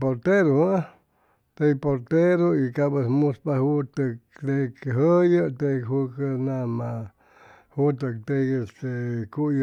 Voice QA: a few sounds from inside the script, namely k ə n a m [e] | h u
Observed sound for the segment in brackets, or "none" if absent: a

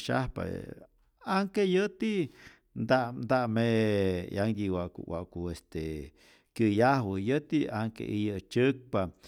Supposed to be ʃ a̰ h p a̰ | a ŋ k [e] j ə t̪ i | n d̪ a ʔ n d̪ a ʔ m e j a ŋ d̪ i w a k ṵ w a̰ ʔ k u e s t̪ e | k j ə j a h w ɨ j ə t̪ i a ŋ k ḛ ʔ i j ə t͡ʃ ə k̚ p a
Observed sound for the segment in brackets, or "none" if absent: e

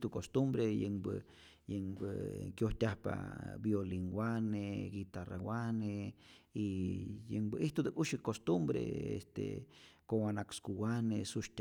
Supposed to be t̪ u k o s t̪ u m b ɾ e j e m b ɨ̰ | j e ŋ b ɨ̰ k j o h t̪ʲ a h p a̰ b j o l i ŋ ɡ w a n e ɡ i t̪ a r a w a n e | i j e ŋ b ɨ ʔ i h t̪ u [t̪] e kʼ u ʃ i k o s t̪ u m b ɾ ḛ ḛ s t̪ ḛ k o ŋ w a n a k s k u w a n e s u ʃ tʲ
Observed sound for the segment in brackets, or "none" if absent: d̪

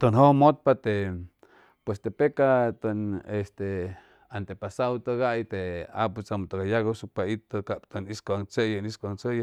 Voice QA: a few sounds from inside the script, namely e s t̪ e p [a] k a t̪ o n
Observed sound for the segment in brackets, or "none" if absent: e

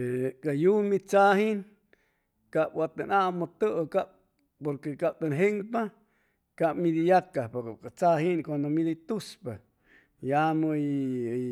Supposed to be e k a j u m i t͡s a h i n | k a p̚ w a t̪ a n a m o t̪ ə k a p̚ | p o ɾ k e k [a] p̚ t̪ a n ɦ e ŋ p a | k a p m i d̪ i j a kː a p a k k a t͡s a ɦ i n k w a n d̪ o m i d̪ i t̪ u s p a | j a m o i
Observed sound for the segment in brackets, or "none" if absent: a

